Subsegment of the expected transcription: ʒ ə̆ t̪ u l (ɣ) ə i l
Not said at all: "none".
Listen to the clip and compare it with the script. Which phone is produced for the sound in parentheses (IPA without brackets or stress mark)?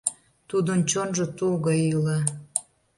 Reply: ɣ